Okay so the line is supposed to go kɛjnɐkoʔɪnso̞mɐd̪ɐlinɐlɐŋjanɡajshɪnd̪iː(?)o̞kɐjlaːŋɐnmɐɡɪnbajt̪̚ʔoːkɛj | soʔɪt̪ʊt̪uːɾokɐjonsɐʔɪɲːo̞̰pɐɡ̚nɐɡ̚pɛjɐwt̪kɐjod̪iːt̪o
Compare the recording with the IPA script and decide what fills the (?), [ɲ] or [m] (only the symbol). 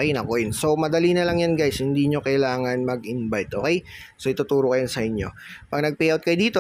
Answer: ɲ